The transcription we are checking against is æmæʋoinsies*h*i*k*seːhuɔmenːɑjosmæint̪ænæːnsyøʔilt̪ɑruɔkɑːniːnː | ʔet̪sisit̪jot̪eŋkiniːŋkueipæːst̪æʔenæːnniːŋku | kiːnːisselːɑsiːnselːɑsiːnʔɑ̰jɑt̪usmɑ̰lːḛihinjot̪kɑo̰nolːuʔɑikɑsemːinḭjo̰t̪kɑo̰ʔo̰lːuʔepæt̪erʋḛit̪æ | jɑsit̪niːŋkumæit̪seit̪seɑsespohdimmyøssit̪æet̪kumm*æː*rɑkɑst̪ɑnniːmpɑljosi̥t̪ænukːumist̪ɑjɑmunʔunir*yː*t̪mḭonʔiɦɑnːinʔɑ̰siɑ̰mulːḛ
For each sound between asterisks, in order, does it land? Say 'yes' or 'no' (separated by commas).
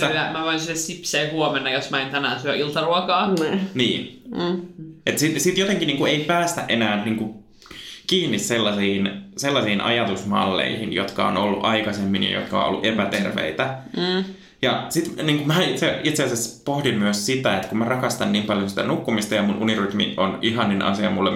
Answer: no, no, no, no